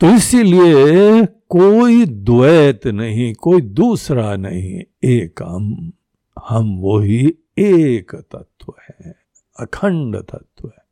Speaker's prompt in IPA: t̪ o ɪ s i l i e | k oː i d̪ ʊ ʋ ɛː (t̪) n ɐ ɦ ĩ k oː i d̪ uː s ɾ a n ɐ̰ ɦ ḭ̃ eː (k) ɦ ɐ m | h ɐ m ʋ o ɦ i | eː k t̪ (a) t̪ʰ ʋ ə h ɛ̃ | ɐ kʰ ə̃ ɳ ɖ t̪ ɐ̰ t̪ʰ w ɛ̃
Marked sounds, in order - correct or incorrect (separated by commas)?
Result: correct, correct, incorrect